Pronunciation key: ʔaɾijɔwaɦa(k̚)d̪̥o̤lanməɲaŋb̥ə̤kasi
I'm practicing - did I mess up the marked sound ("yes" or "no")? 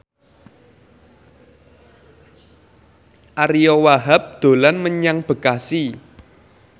yes